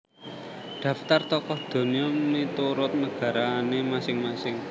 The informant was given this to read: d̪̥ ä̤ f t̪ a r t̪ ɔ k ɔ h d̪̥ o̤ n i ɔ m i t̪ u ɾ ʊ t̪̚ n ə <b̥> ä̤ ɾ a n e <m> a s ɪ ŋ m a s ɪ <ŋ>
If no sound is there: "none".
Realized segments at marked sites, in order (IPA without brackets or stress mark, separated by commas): ɡ̥, m, ŋ